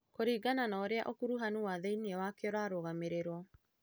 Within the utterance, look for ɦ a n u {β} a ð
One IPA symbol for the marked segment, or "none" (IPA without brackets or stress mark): w